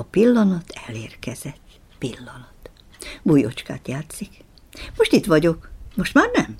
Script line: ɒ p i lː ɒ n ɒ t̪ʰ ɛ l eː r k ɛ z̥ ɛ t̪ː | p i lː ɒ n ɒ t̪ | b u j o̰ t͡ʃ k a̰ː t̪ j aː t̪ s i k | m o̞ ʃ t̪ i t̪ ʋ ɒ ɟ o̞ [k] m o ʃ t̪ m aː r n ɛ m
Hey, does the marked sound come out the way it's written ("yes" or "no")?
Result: yes